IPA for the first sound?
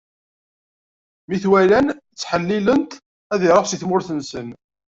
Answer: m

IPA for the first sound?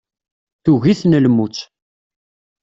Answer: θ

